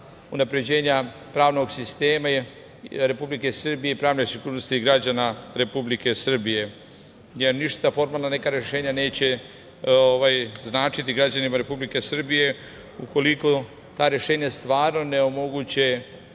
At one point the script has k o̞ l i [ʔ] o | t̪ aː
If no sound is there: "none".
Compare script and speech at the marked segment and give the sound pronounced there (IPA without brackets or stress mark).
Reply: k